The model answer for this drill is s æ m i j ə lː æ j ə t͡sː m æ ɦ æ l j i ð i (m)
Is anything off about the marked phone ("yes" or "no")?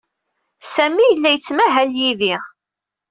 yes